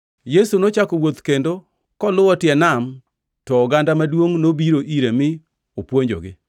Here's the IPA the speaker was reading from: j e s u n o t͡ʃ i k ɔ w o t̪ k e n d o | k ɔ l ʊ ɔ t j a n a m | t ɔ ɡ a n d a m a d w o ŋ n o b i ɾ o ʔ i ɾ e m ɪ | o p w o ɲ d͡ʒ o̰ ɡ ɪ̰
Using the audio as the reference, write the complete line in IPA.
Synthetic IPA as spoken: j e s u n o t͡ʃ a k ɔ w o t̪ k e n d o | k ɔ l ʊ ɔ t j ɛ n a m | t ɔ ɡ a n d a m a d w o ŋ n o b i ɾ o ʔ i ɾ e m ɪ | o p w o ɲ d͡ʒ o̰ ɡ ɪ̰

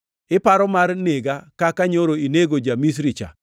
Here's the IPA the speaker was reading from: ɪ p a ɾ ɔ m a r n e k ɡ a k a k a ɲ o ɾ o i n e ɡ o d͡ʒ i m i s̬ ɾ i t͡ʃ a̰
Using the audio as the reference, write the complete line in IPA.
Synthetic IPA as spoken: ɪ p a ɾ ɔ m a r n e ɡ a k a k a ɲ o ɾ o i n e ɡ o d͡ʒ a m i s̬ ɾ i t͡ʃ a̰

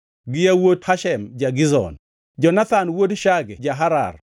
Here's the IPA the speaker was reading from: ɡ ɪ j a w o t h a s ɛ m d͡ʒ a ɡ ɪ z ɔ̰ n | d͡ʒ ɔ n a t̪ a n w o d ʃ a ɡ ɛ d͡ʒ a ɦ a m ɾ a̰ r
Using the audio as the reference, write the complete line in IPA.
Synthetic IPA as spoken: ɡ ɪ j a w o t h a ʃ ɛ m d͡ʒ a ɡ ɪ z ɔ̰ n | d͡ʒ ɔ n a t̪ a n w o d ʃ a ɡ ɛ d͡ʒ a ɦ a ɾ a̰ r

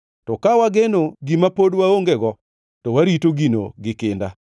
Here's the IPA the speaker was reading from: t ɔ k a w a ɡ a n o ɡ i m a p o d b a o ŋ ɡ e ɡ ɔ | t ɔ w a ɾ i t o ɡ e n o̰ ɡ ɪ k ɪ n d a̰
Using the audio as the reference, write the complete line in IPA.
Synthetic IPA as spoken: t ɔ k a w a ɡ e n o ɡ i m a p o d w a o ŋ ɡ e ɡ ɔ | t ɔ w a ɾ i t o ɡ i n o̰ ɡ ɪ k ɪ n d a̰

